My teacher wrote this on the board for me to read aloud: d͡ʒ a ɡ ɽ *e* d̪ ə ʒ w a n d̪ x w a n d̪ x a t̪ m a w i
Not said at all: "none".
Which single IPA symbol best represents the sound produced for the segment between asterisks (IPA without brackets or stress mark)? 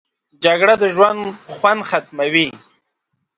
a